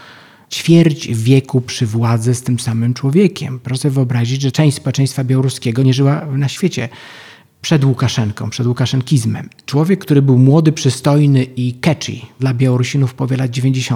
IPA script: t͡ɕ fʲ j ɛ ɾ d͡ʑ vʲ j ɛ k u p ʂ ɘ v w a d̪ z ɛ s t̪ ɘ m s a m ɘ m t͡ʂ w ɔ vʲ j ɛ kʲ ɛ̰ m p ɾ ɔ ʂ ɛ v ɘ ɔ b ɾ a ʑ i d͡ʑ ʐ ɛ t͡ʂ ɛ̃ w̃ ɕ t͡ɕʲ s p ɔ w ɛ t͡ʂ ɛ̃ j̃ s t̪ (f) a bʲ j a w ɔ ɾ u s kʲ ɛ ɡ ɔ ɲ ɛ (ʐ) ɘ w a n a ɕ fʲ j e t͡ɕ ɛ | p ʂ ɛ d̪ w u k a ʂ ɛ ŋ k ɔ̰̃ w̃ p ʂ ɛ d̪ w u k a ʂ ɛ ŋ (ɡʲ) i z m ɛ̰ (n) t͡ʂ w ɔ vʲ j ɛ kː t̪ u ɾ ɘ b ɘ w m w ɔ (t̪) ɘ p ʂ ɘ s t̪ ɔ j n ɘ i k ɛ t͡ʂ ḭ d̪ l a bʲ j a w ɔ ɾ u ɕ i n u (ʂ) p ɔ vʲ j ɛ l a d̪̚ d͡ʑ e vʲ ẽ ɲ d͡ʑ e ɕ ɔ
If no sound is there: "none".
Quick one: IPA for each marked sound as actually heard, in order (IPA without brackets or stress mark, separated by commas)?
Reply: f, ʐ, kʲ, m, d̪, f